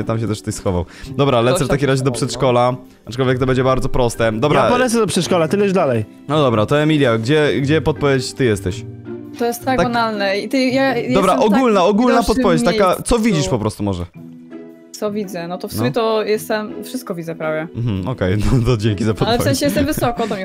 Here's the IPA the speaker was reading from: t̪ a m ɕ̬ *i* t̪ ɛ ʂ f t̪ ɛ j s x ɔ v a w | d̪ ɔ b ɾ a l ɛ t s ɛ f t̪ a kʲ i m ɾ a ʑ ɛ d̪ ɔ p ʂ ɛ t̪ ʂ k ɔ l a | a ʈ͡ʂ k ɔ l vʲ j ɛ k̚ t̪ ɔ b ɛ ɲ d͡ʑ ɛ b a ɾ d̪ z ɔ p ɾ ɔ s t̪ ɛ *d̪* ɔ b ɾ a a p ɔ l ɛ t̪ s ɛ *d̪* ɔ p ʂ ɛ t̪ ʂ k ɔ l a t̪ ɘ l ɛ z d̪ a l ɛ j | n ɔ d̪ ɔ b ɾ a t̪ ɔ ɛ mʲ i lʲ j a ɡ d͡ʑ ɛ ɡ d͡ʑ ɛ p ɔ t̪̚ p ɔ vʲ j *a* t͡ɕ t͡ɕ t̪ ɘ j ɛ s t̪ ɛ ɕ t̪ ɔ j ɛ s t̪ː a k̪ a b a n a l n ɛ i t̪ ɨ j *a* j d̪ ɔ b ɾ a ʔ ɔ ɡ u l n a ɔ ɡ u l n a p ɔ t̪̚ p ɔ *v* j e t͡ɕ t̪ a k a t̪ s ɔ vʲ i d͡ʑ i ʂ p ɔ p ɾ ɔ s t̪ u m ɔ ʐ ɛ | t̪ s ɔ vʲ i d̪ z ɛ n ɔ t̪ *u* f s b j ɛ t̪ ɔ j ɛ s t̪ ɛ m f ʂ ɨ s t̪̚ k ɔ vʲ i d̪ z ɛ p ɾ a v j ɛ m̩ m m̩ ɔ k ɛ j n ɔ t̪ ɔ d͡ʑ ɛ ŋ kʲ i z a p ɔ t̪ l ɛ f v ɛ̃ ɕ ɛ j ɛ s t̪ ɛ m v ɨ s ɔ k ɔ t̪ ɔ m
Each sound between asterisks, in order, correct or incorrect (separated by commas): incorrect, correct, correct, incorrect, correct, correct, incorrect